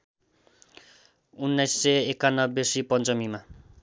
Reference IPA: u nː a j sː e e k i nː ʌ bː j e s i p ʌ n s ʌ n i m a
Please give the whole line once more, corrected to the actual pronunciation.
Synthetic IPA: u nː a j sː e e k a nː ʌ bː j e s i p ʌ n t͡s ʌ m i m a